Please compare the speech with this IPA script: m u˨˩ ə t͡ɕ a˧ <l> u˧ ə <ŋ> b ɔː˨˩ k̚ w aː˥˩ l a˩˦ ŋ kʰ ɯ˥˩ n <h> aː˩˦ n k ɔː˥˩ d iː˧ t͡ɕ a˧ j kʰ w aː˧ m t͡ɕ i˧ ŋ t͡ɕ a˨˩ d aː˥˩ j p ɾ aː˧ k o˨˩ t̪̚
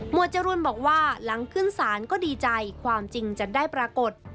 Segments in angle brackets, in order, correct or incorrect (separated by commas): incorrect, incorrect, incorrect